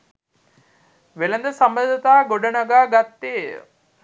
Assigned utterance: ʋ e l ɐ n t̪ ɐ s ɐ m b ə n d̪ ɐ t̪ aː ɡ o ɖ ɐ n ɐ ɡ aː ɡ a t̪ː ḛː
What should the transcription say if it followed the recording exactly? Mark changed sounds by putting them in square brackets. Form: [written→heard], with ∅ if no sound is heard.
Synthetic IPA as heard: ʋ e l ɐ n [t̪→d̪] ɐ s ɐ m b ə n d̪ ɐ t̪ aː ɡ o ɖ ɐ n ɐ ɡ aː ɡ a t̪ː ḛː